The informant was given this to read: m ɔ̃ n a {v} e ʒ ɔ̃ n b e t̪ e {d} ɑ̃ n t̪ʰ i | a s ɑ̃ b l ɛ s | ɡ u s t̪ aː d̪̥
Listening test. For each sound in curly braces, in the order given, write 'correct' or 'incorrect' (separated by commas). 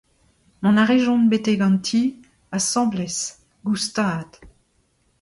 incorrect, incorrect